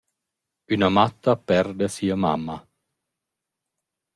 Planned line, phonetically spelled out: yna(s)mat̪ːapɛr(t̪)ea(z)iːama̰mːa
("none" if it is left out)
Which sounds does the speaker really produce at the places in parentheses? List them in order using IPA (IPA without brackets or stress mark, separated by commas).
none, d̪, s